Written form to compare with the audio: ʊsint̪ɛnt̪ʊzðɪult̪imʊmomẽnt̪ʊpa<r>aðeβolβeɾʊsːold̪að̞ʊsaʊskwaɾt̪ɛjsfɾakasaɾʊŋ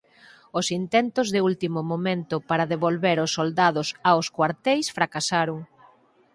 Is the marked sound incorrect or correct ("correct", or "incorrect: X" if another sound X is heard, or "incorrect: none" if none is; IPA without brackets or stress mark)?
incorrect: ɾ